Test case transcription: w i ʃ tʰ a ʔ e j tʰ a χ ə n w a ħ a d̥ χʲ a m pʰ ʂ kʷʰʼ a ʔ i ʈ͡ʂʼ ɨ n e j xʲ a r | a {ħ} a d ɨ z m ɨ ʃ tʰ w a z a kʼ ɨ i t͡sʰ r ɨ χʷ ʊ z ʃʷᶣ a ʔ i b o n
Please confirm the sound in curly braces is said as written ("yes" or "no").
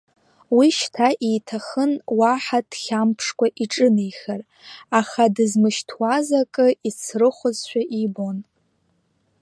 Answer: no